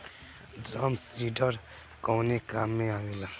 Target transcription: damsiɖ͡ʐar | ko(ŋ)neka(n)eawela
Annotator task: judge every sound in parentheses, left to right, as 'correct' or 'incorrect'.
correct, incorrect: m

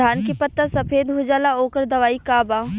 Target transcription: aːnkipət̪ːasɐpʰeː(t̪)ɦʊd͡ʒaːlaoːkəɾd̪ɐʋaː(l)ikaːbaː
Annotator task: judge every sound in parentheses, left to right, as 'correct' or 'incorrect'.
incorrect: d̪, incorrect: none

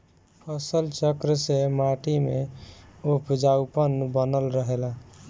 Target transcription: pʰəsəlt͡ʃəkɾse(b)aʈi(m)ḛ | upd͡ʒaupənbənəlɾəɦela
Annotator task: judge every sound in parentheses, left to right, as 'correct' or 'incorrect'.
incorrect: m, correct

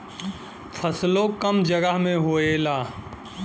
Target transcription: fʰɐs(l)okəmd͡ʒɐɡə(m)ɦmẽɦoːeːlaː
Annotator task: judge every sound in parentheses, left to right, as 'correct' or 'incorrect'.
correct, incorrect: none

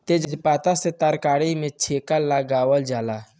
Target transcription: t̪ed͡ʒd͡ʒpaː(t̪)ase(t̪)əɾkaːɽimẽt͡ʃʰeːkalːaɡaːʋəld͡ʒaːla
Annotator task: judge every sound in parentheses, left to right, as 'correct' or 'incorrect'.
correct, correct

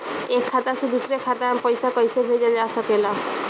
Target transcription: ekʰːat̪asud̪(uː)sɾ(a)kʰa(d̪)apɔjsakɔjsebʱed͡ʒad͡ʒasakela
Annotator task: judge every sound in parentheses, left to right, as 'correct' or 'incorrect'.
incorrect: u, incorrect: e, incorrect: t̪

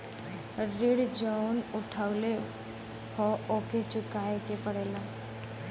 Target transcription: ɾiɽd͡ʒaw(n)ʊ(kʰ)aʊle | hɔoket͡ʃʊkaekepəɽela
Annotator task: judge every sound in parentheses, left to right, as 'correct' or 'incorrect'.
correct, incorrect: ʈʰ

